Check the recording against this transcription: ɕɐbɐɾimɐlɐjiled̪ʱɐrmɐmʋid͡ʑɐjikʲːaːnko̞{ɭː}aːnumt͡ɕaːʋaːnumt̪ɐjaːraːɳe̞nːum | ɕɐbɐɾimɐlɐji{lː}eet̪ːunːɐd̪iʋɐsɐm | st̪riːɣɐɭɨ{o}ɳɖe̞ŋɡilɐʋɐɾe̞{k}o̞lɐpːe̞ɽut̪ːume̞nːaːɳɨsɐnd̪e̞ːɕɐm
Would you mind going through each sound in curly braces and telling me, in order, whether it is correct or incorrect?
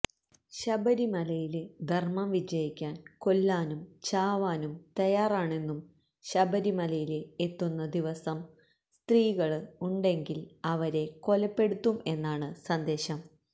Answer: incorrect, incorrect, incorrect, correct

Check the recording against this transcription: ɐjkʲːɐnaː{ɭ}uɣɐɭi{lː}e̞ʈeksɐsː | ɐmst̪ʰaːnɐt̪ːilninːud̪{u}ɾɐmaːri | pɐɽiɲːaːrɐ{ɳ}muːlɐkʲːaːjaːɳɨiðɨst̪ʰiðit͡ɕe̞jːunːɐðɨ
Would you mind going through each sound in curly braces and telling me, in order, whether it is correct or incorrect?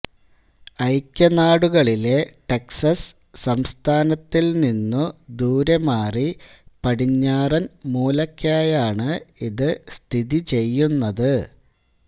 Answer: incorrect, incorrect, incorrect, incorrect

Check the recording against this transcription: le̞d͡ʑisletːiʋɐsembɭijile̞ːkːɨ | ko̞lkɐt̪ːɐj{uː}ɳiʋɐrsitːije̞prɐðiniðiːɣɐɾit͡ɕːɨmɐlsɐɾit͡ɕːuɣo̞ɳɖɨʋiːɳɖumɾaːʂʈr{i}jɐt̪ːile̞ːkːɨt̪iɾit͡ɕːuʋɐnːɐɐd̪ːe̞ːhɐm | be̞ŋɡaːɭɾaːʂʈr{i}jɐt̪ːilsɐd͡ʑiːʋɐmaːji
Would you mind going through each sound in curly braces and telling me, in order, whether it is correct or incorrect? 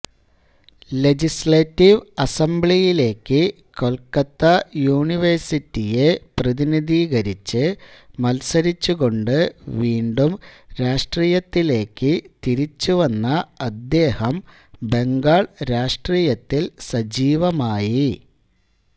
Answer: correct, incorrect, incorrect

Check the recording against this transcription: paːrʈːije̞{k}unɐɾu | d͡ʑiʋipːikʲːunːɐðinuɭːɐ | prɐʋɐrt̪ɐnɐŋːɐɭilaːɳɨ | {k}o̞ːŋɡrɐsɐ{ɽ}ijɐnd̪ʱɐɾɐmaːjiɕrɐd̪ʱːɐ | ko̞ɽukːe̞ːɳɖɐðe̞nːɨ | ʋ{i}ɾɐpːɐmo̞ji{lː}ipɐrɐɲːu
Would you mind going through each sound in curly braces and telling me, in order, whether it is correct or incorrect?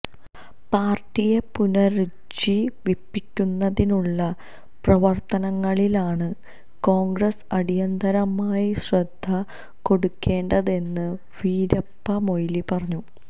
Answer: incorrect, correct, correct, incorrect, incorrect

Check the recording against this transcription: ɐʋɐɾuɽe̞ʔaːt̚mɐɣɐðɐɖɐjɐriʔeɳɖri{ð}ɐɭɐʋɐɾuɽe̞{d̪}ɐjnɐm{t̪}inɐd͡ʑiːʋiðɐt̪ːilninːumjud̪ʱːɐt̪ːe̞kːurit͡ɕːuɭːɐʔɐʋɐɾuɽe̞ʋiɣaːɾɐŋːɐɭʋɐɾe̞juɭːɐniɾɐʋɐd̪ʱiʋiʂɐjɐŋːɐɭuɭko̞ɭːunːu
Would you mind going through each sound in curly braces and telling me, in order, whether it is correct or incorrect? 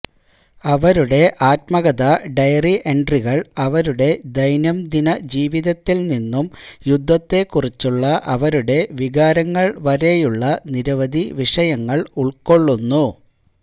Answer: incorrect, correct, incorrect

